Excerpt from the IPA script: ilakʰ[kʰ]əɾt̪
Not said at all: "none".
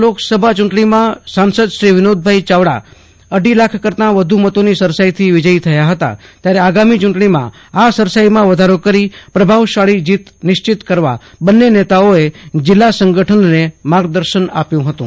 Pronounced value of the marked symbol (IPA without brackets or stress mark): k